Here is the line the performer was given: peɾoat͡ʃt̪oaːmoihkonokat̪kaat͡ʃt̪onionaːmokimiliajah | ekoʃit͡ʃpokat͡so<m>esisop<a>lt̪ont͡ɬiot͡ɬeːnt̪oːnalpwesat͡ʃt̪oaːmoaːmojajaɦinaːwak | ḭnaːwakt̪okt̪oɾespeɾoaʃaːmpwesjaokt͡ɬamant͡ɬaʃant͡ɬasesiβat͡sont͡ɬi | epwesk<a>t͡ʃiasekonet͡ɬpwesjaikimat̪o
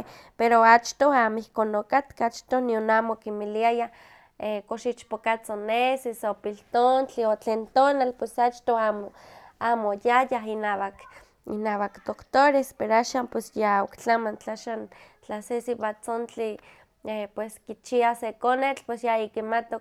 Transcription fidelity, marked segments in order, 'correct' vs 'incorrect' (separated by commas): incorrect, incorrect, incorrect